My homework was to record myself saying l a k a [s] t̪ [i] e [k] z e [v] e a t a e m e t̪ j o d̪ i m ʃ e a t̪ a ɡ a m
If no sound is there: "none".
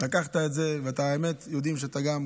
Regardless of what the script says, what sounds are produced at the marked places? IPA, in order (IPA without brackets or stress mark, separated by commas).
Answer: χ, a, t, v